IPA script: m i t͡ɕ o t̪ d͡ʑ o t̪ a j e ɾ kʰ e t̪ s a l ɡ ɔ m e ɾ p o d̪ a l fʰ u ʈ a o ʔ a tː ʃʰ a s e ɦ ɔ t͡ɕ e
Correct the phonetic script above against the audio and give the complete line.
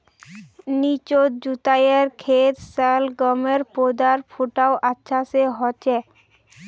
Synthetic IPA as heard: n i t͡ɕ o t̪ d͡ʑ u t̪ a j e ɾ kʰ e t̪ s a l ɡ ɔ m e ɾ p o d̪ a ɾ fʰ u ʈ a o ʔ a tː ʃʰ a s e ɦ ɔ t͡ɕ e